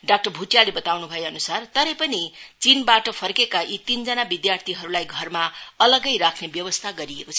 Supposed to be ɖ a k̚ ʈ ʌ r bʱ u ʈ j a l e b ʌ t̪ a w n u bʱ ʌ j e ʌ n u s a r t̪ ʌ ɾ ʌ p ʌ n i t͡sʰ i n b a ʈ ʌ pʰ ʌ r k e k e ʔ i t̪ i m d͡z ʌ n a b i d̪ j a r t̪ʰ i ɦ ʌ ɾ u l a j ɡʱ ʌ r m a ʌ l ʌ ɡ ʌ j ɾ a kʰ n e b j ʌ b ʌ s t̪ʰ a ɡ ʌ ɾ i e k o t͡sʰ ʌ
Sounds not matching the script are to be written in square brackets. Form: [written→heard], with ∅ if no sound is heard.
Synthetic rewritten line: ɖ a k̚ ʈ ʌ r bʱ u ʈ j a l e b ʌ t̪ a w n u bʱ ʌ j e ʌ n u s a r t̪ ʌ ɾ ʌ p ʌ n i [t͡sʰ→t͡s] i n b a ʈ ʌ pʰ ʌ r k e k [e→a] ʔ i t̪ i [m→n] d͡z ʌ n a b i d̪ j a r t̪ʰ i ɦ ʌ ɾ u l a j ɡʱ ʌ r m a ʌ l ʌ ɡ ʌ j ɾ a kʰ n e b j ʌ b ʌ s t̪ʰ a ɡ ʌ ɾ i e k o t͡sʰ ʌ